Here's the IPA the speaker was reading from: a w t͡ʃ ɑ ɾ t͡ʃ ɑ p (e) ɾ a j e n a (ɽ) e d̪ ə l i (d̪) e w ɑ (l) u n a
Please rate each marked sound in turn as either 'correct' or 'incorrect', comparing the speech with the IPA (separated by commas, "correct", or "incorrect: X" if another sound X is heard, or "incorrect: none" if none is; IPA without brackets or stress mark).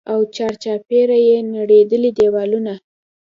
correct, correct, correct, correct